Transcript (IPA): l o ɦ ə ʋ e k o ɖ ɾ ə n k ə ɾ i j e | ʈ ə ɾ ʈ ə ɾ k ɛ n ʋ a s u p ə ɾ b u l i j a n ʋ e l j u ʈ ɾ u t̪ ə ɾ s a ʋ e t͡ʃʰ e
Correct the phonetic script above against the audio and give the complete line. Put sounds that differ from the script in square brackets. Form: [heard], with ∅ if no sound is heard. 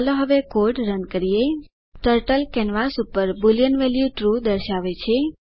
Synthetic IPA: l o ɦ ə ʋ e k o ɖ ɾ ə n k ə ɾ i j e | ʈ ə ɾ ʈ ə [l] k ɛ n ʋ a s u p ə ɾ b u l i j [ə] n ʋ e l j u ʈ ɾ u [d̪] ə ɾ [ʃ] a ʋ e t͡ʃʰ e